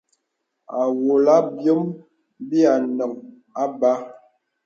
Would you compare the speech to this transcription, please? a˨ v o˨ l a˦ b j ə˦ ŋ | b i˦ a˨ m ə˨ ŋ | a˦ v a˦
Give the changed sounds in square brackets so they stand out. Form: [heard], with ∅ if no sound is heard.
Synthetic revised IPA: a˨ [w] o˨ l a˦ b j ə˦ [m] | b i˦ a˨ [n] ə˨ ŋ | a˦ [b] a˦